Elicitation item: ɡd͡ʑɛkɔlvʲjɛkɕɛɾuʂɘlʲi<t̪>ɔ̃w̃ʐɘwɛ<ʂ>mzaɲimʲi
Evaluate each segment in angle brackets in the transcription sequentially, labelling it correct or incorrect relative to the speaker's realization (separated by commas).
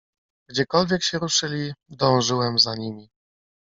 incorrect, incorrect